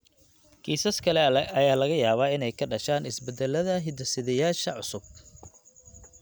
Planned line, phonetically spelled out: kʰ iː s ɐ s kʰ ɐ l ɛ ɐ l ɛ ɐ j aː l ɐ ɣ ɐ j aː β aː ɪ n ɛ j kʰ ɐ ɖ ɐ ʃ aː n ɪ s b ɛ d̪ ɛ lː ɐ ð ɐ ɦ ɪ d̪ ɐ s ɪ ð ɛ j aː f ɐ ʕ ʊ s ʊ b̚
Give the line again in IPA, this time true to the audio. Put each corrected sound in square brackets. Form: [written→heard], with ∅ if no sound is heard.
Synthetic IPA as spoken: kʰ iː s ɐ s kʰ ɐ l ɛ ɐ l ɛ ɐ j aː l ɐ ɣ ɐ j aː β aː ɪ n ɛ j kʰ ɐ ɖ ɐ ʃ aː n ɪ s b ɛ d̪ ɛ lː ɐ ð ɐ ɦ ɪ d̪ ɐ s ɪ ð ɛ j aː [f→ʃ] ɐ ʕ ʊ s ʊ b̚